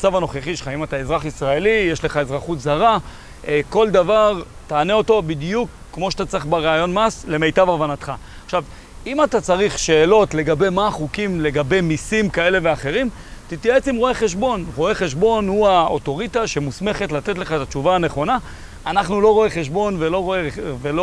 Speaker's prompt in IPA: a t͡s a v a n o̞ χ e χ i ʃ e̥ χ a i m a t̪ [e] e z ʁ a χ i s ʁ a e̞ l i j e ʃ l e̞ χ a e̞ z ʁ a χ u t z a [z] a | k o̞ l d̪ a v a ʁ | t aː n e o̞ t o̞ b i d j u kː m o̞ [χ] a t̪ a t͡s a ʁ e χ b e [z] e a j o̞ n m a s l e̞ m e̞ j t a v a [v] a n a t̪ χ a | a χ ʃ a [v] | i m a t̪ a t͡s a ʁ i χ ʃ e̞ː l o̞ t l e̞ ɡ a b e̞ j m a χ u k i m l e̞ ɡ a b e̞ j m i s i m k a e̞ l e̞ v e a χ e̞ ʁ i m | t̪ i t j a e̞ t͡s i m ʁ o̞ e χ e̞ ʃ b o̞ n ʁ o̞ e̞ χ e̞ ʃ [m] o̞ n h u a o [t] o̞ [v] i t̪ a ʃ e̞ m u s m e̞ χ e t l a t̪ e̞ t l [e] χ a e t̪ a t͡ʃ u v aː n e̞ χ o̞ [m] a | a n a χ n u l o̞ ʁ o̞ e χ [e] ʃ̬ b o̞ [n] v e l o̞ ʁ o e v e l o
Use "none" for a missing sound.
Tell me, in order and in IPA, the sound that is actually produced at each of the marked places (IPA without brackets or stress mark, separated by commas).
a, ʁ, ʃ, ʁ, v, v, b, t, ʁ, e, n, e, n